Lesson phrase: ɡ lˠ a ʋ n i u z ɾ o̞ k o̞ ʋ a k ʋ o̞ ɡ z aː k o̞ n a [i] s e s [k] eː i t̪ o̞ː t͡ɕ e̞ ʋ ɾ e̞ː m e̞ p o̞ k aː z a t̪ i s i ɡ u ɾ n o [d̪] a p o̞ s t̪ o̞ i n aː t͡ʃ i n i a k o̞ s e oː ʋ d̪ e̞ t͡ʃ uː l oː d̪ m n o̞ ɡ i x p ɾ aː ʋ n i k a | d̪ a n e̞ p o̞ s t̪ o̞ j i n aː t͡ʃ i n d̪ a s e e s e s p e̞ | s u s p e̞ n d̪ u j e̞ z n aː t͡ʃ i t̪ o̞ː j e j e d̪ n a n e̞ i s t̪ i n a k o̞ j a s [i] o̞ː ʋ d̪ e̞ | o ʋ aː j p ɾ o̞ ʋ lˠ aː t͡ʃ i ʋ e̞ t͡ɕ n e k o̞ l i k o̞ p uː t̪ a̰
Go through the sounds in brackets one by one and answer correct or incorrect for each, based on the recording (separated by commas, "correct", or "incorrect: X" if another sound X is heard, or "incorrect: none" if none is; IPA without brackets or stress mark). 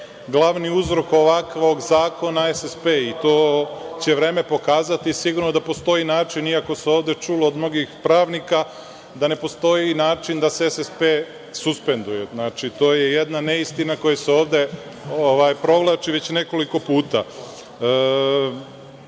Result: incorrect: e, incorrect: p, correct, incorrect: e